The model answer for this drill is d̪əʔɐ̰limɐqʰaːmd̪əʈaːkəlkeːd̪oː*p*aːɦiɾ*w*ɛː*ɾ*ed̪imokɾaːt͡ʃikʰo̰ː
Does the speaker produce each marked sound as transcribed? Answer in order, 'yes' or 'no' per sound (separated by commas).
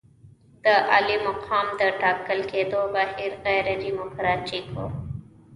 no, no, yes